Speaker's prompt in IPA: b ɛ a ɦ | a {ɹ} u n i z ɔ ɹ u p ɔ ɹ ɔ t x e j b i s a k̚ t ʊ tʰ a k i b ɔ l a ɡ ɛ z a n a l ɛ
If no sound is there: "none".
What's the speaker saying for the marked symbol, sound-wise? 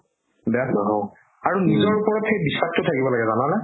ɹ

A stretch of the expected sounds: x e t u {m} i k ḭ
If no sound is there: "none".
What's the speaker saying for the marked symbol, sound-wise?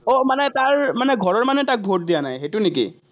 n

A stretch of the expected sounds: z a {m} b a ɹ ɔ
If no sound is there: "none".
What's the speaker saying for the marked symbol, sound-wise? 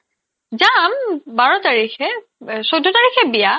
m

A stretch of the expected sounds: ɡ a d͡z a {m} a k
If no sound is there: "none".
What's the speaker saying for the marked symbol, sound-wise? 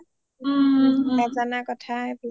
n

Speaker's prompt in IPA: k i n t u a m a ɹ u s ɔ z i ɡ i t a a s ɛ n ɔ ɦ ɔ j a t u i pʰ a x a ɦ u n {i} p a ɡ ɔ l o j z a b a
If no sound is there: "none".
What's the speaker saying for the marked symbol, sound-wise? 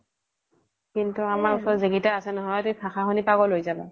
i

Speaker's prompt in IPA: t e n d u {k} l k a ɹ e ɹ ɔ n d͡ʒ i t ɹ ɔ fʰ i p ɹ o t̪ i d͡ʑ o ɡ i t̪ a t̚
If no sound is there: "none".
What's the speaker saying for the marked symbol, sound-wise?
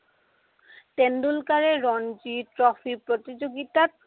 none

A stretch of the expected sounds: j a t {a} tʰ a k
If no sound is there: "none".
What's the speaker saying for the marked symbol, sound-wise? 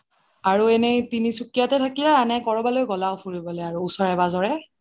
ɛ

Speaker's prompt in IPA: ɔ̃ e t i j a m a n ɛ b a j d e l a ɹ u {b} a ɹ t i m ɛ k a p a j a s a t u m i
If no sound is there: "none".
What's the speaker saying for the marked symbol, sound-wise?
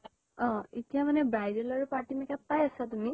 p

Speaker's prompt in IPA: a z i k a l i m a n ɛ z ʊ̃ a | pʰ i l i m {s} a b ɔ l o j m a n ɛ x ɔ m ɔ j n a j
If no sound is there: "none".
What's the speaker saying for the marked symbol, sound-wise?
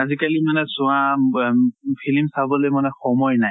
s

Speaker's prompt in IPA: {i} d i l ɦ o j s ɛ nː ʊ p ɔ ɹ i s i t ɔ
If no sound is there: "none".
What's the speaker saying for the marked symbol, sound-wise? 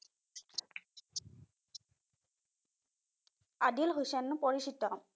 a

